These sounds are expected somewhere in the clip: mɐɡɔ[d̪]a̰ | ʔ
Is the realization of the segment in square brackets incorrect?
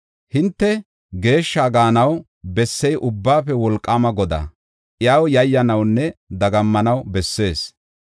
no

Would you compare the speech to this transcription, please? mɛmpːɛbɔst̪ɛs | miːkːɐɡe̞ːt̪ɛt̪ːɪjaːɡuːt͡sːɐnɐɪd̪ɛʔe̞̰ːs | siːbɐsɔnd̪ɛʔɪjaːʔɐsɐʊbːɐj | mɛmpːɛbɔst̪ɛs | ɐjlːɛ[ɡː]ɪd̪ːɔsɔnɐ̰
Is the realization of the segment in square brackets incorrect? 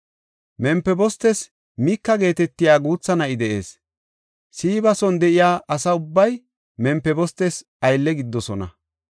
yes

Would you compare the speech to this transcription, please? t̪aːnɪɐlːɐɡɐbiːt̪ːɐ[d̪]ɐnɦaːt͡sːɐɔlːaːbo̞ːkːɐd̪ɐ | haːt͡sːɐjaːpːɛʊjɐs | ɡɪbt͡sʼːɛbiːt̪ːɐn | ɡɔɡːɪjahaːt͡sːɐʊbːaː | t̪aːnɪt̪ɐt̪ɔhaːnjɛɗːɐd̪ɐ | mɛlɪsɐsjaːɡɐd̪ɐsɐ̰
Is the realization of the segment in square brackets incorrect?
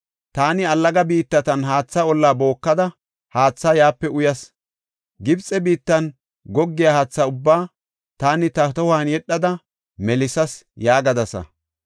yes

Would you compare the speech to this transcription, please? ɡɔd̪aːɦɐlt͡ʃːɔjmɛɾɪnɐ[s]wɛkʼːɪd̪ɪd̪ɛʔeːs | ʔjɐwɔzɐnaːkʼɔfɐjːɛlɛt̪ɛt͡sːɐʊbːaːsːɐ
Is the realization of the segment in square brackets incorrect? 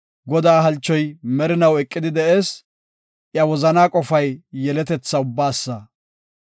yes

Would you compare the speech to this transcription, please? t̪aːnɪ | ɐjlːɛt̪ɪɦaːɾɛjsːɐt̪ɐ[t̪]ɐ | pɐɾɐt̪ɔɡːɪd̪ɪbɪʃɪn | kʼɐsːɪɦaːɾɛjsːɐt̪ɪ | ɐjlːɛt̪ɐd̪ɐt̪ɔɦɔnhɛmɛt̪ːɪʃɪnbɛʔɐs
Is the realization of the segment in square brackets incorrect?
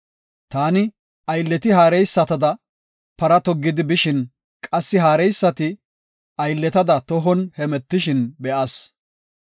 yes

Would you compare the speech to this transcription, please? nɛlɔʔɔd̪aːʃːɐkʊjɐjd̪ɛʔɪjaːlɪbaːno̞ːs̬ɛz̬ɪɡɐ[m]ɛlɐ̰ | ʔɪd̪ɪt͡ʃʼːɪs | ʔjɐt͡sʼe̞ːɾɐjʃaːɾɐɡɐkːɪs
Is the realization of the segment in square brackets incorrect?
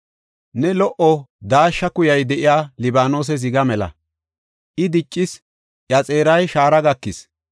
no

